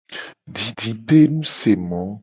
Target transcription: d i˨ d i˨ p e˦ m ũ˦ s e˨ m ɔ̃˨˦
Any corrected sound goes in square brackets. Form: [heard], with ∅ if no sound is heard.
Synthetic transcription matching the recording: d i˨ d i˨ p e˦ [n] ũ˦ s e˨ m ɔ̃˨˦